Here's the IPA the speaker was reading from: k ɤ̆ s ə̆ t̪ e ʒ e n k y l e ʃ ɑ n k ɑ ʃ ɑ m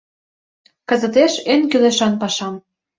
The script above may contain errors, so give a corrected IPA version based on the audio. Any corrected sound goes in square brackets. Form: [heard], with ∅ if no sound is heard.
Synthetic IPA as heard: k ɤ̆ [z] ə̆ t̪ e [ʃ] e n k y l e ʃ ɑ n [p] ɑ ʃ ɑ m